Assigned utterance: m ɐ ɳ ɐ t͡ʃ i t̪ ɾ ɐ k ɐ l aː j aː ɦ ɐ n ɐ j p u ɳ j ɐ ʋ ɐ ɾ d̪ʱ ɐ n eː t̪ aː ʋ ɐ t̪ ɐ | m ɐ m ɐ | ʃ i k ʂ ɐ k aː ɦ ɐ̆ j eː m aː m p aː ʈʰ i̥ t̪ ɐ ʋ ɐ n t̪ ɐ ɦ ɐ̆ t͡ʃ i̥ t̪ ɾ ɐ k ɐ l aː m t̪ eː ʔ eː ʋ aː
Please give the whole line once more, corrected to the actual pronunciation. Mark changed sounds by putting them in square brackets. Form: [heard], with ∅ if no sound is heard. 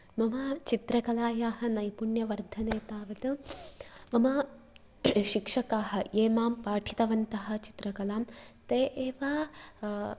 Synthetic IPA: m ɐ [m] ɐ t͡ʃ i t̪ ɾ ɐ k ɐ l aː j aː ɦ ɐ n ɐ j p u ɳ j ɐ ʋ ɐ ɾ d̪ʱ ɐ n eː t̪ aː ʋ ɐ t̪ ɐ | m ɐ m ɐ | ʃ i k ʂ ɐ k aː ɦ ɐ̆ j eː m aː m p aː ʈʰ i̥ t̪ ɐ ʋ ɐ n t̪ ɐ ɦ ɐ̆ t͡ʃ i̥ t̪ ɾ ɐ k ɐ l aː m t̪ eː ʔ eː ʋ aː